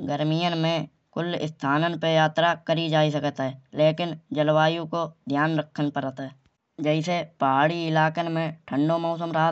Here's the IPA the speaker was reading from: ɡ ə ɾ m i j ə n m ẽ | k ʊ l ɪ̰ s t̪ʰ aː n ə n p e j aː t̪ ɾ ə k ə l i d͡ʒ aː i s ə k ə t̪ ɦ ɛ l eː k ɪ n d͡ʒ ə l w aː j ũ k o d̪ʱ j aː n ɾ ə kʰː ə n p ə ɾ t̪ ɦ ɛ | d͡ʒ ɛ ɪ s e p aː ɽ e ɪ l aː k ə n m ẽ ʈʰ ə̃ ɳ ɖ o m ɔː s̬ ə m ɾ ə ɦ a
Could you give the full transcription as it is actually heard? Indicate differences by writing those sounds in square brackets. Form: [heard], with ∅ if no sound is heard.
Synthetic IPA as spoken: ɡ ə ɾ m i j ə n m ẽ | k ʊ l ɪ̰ s t̪ʰ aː n ə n p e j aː t̪ ɾ [a] k ə [ɾ] i d͡ʒ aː i s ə k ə t̪ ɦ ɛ l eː k ɪ n d͡ʒ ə l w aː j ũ k o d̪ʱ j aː n ɾ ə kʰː ə n p ə ɾ t̪ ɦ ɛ | d͡ʒ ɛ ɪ s e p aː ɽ [i] ɪ l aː k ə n m ẽ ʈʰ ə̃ ɳ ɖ o m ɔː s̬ ə m ɾ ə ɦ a

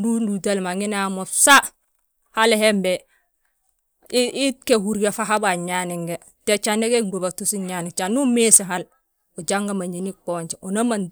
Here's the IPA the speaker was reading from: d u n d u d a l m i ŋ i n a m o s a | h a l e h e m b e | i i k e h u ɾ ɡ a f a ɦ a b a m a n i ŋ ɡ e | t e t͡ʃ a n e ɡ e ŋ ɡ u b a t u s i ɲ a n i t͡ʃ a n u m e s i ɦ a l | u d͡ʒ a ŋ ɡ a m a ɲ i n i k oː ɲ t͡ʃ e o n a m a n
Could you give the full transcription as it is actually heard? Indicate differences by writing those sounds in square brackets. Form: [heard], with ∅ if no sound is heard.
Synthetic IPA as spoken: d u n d u d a l m [a] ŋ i n a m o s a | h a l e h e m b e | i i k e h u ɾ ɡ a f a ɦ a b a [ɲ] a n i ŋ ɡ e | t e t͡ʃ a n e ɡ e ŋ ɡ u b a t u s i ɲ a n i t͡ʃ a n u m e s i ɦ a l | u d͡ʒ a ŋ ɡ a m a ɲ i n i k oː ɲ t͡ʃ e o n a m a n

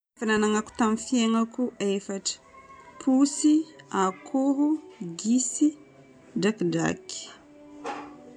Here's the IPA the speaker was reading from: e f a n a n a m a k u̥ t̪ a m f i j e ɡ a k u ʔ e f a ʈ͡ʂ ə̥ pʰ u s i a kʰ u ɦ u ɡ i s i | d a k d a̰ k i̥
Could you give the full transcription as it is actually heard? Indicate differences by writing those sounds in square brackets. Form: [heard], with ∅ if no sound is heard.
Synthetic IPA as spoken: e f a n a n a [ŋ] a k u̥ t̪ a m f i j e [ŋ] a k u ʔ e f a ʈ͡ʂ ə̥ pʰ u s i a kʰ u ɦ u ɡ i s i | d a k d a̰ k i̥

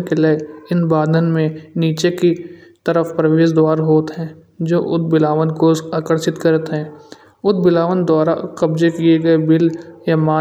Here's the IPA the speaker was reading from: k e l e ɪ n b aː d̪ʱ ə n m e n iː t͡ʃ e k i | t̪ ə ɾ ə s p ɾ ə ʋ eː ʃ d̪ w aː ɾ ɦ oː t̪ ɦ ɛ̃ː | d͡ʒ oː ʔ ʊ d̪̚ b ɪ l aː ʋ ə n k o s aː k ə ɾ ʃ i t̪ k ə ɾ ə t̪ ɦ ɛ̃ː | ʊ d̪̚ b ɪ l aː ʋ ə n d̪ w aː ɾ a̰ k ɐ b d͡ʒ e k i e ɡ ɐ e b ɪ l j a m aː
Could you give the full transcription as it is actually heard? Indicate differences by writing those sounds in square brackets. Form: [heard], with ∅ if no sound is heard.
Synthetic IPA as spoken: k e l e ɪ n b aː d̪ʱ ə n m [ẽ] n iː t͡ʃ e k i | t̪ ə ɾ ə [f] p ɾ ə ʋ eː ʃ d̪ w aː ɾ ɦ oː t̪ ɦ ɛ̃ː | d͡ʒ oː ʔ ʊ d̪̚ b ɪ l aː ʋ ə n k o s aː k ə ɾ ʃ [ɪ] t̪ k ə ɾ ə t̪ ɦ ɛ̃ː | ʊ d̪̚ b ɪ l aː ʋ ə n d̪ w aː ɾ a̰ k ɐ b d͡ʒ e k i e ɡ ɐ e b ɪ l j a m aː

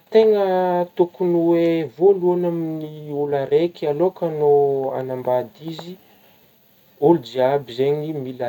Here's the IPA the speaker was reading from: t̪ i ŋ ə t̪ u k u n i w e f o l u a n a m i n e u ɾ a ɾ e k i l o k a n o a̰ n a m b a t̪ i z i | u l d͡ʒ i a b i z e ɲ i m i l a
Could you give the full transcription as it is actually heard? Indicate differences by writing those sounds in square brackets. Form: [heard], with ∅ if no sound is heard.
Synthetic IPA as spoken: t̪ [e] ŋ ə t̪ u k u n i w e [v] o l u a n a m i n [i] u [l] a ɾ e k [a] l o k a n o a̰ n a m b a [d̪] i z i | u l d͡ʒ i a b i z e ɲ i m i l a

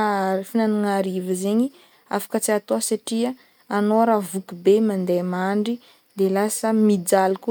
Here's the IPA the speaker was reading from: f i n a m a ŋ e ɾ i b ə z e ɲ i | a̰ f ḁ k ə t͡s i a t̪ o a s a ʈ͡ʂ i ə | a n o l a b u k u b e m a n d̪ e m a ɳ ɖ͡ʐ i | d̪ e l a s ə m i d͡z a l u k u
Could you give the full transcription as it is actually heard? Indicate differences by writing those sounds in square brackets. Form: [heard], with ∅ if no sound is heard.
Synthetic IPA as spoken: f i n a [n] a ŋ [a] ɾ i [v] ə z e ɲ i | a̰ f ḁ k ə t͡s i a t̪ o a s a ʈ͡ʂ i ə | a n o [ɾ] a [v] u k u b e m a n d̪ e m a ɳ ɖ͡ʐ i | d̪ e l a s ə m i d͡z a l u k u

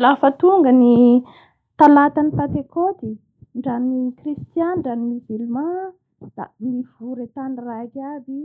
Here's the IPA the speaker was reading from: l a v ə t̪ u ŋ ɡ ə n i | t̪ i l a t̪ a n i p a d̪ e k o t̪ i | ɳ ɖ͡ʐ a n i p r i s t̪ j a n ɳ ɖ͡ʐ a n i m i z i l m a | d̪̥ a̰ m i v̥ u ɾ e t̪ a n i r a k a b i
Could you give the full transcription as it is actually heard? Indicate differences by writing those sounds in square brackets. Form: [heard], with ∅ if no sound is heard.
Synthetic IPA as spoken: l a [f] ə t̪ u ŋ ɡ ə n i | t̪ [a] l a t̪ a n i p a [t̪] e k o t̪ i | ɳ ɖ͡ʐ a n i [k] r i s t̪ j a n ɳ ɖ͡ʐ a n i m i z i l m a | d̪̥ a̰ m i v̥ u ɾ e t̪ a n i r a k a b i

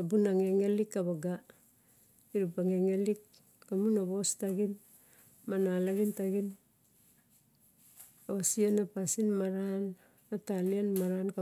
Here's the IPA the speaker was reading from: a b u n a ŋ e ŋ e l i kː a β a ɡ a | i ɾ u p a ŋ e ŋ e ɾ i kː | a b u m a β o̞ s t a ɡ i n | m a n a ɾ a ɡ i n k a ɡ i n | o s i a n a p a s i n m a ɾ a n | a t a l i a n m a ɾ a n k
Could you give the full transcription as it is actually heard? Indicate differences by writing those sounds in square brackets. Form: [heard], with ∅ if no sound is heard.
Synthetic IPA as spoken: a b u n a ŋ e ŋ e l i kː a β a ɡ a | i ɾ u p a ŋ e ŋ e [l] i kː | a [m] u [n] a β o̞ s t a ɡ i n | m a n a [l] a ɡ i n [t] a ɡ i n | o s i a n a p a s i n m a ɾ a n | a t a l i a n m a ɾ a n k

